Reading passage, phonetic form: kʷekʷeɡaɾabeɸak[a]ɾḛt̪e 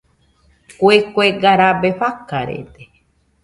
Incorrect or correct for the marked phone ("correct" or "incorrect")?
correct